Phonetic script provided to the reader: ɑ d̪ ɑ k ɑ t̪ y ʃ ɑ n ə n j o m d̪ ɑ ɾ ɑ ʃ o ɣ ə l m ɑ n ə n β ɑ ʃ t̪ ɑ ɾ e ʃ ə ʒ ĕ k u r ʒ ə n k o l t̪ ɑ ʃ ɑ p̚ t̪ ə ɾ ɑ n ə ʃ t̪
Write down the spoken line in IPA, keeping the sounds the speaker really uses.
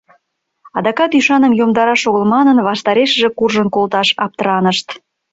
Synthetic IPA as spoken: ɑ d̪ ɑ k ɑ t̪ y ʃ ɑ n ə m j o m d̪ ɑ ɾ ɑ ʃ o ɣ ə l m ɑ n ə n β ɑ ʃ t̪ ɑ ɾ e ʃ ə ʒ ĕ k u r ʒ ə n k o l t̪ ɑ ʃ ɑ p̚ t̪ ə ɾ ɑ n ə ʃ t̪